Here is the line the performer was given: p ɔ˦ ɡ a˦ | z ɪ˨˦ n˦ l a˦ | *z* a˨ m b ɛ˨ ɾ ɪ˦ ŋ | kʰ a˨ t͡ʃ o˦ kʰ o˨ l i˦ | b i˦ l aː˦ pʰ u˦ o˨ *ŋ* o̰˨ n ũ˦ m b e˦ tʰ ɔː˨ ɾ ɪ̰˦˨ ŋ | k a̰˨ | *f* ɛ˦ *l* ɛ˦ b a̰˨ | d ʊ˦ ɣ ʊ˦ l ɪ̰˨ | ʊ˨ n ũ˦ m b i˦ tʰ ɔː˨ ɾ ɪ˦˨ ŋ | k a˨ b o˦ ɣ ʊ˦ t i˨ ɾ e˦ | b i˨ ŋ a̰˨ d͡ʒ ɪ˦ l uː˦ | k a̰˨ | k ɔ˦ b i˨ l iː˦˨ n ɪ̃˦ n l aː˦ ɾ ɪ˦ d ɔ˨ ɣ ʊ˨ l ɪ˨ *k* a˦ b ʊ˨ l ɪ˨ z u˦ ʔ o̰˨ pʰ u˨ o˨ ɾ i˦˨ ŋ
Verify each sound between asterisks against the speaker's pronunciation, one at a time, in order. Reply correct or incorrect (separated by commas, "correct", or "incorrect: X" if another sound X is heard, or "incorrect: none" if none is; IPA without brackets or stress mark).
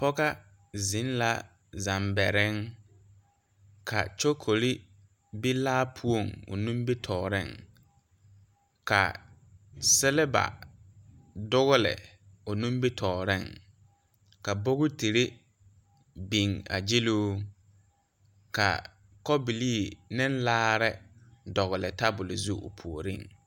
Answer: correct, correct, incorrect: s, correct, incorrect: t